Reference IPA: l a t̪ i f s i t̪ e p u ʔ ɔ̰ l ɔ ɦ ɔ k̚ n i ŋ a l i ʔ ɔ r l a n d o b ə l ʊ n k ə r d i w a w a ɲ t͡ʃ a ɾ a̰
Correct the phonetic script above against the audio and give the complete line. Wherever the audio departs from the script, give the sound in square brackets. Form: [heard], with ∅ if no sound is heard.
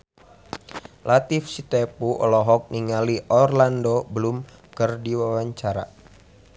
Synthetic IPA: l a t̪ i f s i t̪ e p u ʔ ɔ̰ l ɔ ɦ ɔ k̚ n i ŋ a l i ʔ ɔ r l a n d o b ə l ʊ [m] k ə r d i w a w a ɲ t͡ʃ a ɾ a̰